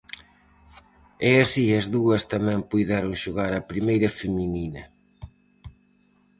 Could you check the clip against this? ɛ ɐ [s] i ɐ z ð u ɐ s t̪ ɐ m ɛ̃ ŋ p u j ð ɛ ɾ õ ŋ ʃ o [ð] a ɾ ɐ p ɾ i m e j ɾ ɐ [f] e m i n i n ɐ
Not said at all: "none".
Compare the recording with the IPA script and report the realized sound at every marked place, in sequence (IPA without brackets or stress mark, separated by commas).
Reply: s, ɣ, f